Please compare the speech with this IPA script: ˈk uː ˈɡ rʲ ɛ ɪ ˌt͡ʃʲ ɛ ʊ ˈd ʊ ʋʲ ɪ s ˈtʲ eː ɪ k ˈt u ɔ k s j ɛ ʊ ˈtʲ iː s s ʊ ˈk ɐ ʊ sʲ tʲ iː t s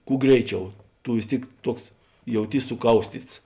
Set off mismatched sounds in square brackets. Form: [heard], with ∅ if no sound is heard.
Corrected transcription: ˈk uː ˈɡ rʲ ɛ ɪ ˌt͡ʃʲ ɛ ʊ [ˈt] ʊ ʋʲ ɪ s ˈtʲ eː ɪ k ˈt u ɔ k s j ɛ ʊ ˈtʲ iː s s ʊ ˈk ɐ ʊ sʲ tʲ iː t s